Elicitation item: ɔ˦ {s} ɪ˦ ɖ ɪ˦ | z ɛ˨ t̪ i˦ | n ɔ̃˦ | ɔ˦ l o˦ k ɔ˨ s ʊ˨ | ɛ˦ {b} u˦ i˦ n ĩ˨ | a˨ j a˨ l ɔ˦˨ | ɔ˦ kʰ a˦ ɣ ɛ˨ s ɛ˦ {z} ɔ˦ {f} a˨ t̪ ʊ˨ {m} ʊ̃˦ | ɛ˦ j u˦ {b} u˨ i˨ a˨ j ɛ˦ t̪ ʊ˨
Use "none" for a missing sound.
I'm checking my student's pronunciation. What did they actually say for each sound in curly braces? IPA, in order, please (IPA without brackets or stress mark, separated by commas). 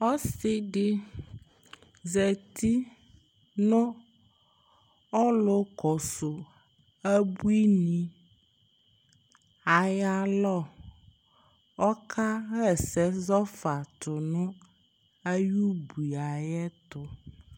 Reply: s, b, z, f, n, b